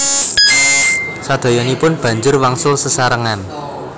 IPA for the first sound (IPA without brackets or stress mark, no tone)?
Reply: s